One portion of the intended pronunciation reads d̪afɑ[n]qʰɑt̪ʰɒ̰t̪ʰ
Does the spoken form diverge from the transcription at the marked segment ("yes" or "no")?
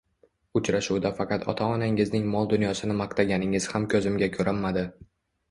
yes